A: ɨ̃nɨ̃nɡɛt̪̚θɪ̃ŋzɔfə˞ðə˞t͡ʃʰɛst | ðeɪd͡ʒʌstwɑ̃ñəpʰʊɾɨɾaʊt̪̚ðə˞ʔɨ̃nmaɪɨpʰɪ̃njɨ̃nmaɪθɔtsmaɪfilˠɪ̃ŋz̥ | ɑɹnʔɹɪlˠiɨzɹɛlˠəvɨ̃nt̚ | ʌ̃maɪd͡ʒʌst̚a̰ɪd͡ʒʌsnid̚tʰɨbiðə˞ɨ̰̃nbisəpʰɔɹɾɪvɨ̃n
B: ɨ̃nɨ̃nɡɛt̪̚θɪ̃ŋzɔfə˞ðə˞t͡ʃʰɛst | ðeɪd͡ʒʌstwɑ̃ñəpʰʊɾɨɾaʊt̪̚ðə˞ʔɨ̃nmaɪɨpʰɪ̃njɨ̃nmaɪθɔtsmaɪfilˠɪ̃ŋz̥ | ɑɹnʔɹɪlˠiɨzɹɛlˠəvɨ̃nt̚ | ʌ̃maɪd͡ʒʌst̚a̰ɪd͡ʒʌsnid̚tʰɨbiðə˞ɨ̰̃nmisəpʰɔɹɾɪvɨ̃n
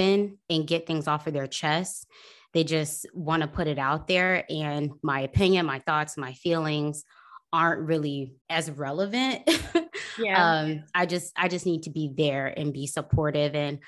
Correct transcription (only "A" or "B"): A